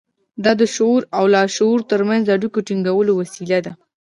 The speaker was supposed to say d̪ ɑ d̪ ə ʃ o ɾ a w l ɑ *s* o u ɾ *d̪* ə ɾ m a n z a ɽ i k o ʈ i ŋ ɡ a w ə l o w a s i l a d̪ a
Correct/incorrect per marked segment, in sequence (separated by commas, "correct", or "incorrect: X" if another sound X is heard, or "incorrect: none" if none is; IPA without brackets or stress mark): incorrect: ʃ, incorrect: t̪